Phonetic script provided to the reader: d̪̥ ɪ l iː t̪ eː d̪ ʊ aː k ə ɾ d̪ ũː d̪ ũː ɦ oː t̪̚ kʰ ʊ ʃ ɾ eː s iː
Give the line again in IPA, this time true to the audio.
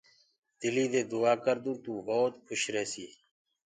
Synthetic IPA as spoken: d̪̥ ɪ l iː d̪ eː d̪ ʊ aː k ə ɾ d̪ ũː t̪ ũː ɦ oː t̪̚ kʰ ʊ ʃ ɾ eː s iː